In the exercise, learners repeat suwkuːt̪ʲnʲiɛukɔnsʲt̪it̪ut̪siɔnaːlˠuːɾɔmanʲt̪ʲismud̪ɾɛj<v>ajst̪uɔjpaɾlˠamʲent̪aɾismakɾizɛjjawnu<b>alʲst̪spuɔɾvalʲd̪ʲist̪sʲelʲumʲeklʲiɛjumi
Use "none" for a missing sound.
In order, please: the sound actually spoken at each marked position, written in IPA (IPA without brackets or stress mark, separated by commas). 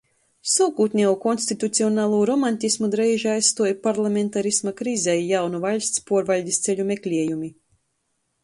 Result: ʒ, v